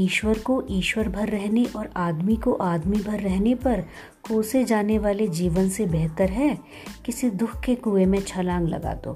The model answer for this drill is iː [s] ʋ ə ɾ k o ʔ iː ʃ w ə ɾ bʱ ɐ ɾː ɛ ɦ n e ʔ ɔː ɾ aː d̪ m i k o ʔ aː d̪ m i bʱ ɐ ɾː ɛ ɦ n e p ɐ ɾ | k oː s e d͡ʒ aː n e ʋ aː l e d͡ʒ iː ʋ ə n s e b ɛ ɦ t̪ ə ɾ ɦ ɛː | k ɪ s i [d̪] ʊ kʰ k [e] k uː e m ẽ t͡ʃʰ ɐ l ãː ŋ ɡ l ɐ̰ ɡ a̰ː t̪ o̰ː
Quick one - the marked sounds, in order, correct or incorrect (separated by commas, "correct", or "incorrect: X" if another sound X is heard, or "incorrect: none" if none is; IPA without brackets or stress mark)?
incorrect: ʃ, correct, correct